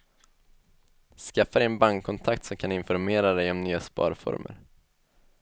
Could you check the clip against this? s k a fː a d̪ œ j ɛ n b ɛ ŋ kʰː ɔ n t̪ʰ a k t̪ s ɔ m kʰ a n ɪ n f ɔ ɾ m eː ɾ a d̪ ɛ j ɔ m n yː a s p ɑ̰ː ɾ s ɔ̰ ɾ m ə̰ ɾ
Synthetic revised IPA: s k a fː a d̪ ɛ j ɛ n b a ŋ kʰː ɔ n t̪ʰ a k t̪ s ɔ m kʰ a n ɪ n f ɔ ɾ m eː ɾ a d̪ ɛ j ɔ m n yː a s p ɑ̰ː ɾ f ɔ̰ ɾ m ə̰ ɾ